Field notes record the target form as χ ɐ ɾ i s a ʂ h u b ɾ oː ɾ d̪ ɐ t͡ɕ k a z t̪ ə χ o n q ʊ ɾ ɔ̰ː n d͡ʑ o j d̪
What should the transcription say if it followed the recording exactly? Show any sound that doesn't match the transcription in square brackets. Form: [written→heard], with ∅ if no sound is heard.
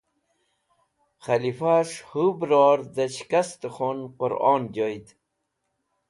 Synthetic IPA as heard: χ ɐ [ɾ→l] i [s→f] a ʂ h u b ɾ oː ɾ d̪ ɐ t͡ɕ k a [z→s] t̪ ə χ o n q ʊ ɾ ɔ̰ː n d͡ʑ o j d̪